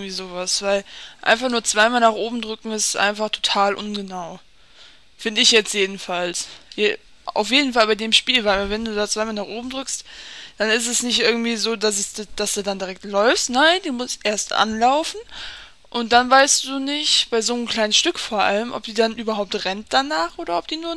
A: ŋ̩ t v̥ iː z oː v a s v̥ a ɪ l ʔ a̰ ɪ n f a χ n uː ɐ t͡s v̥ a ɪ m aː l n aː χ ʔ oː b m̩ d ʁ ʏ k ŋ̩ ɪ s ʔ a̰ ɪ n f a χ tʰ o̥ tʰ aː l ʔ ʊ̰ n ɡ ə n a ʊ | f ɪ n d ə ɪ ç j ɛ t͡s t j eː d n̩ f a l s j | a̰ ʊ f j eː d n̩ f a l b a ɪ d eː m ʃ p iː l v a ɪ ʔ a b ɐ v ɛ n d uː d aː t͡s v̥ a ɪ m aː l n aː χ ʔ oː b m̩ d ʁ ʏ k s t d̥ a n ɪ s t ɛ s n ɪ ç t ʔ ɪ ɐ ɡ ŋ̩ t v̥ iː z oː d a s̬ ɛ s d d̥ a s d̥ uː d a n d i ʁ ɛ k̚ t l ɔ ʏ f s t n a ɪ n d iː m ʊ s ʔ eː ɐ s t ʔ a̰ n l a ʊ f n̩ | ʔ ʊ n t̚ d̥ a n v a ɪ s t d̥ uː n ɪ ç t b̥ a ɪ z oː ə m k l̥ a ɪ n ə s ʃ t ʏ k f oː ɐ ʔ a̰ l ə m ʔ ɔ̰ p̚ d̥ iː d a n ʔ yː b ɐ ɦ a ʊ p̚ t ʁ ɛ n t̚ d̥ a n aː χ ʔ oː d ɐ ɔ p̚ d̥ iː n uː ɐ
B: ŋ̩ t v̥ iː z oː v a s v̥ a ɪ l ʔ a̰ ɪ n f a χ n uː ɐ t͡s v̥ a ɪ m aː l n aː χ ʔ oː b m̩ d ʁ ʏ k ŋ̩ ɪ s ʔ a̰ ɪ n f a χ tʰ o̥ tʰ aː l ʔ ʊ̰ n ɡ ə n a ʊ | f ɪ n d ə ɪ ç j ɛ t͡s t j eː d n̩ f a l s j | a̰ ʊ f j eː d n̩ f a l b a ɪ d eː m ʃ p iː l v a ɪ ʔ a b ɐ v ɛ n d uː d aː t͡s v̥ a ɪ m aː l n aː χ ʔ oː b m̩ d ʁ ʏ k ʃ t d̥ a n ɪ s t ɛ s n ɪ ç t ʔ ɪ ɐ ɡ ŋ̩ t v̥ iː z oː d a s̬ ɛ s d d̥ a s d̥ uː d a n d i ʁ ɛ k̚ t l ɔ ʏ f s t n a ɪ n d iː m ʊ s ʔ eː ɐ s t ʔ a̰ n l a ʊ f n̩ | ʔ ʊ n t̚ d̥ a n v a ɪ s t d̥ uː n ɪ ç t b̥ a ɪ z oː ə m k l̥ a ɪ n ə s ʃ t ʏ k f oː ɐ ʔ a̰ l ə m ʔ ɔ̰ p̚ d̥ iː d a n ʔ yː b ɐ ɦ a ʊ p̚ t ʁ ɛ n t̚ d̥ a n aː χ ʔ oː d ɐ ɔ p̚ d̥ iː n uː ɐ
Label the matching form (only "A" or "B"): A